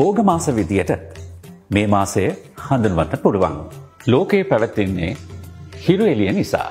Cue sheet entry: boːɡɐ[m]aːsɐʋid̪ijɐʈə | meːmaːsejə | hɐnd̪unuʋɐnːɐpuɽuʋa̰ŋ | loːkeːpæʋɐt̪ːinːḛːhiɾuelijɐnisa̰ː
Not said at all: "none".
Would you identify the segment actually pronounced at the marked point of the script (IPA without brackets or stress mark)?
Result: m